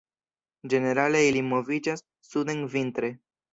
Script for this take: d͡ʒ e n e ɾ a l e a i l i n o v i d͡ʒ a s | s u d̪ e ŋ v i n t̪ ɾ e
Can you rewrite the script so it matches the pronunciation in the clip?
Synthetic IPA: d͡ʒ e n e ɾ a l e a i l i m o v i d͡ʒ a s | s u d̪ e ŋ v i n t̪ ɾ e